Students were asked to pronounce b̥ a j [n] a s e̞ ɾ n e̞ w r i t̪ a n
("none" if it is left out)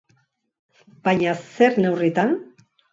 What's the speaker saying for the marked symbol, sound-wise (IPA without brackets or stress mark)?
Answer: ɲ